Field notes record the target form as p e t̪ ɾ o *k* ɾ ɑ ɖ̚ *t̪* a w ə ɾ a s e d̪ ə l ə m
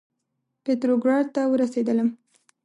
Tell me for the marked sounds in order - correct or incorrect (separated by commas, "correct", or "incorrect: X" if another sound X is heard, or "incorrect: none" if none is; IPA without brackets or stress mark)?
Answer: incorrect: ɡ, correct